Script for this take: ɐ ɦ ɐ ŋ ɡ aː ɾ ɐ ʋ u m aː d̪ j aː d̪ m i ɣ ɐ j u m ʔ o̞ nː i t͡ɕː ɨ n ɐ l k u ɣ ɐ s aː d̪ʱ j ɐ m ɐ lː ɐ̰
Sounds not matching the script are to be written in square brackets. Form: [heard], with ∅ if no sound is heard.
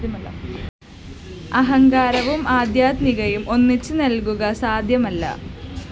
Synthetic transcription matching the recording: ɐ ɦ ɐ ŋ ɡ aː ɾ ɐ ʋ u m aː d̪ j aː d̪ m i ɣ ɐ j u m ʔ o̞ nː i t͡ɕː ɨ n ɐ l k u ɣ ɐ s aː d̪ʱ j ɐ m ɐ lː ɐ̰